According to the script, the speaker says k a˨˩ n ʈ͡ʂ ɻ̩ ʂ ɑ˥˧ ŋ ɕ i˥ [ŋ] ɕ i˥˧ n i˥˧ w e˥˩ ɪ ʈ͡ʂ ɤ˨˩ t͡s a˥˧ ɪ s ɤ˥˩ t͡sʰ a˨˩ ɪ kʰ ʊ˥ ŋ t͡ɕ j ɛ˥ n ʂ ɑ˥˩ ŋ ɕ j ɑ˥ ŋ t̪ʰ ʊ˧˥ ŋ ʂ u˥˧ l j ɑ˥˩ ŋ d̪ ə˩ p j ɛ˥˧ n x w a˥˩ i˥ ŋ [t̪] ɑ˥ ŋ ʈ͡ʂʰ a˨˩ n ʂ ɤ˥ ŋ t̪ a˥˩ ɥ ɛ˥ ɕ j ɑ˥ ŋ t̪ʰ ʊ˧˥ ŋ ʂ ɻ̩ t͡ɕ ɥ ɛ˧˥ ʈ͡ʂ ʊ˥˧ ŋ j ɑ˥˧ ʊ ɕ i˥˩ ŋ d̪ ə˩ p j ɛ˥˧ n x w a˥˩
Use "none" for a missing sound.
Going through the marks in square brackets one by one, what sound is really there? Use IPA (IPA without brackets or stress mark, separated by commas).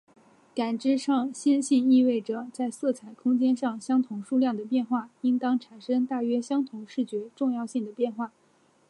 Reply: n, t̪